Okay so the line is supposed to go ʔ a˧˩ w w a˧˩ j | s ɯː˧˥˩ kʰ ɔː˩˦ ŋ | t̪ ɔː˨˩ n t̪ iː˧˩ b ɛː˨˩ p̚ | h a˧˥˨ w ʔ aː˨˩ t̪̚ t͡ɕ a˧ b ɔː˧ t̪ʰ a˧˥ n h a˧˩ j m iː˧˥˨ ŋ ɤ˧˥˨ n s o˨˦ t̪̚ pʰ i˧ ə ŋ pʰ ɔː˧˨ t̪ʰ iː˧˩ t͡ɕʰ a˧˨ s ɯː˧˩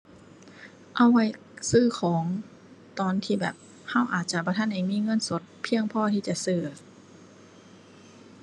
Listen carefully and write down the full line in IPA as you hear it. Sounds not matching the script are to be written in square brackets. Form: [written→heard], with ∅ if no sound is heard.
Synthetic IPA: ʔ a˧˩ w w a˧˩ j | s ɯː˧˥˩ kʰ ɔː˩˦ ŋ | t̪ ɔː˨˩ n [t̪→t̪ʰ] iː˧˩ b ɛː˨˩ p̚ | h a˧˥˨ w ʔ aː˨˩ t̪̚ t͡ɕ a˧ b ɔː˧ t̪ʰ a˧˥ n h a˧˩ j m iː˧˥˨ ŋ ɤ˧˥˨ n s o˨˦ t̪̚ pʰ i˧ ə ŋ pʰ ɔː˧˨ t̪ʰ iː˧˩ [t͡ɕʰ→t͡ɕ] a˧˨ s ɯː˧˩